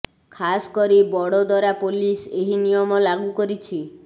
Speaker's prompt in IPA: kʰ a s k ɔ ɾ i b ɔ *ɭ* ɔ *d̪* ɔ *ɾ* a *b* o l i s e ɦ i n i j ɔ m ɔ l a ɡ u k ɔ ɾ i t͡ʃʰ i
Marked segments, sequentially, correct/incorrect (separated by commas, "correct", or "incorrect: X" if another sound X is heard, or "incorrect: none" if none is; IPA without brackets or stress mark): incorrect: ɽ, correct, correct, incorrect: p